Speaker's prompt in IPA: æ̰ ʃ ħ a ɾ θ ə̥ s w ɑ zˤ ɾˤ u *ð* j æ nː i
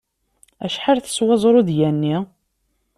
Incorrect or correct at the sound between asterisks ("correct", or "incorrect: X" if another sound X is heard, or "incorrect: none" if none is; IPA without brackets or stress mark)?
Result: correct